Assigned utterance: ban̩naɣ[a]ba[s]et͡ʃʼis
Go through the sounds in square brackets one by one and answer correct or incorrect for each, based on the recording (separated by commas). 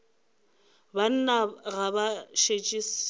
correct, incorrect